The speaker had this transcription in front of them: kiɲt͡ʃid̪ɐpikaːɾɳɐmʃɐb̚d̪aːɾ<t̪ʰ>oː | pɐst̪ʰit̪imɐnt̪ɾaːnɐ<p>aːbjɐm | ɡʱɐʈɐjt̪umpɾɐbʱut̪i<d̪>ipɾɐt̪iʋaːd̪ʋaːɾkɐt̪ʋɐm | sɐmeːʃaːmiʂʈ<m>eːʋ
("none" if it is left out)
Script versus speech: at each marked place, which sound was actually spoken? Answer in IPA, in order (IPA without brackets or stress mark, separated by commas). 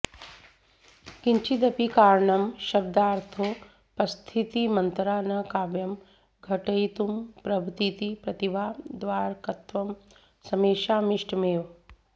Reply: t̪ʰ, k, t̪, m